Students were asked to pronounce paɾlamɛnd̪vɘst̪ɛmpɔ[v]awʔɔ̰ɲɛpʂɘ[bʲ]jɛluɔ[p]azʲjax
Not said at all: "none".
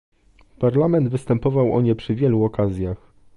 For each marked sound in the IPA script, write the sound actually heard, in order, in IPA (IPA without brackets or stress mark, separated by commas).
v, vʲ, k